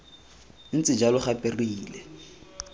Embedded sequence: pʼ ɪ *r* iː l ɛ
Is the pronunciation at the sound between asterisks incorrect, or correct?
correct